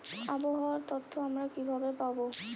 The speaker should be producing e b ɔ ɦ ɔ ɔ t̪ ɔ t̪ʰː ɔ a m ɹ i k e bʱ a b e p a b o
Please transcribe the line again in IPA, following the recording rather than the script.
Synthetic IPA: a b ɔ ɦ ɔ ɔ t̪ ɔ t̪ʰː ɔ a m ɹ a k i bʱ a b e p a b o